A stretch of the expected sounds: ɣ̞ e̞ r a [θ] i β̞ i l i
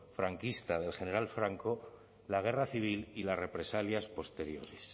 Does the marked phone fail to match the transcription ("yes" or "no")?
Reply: no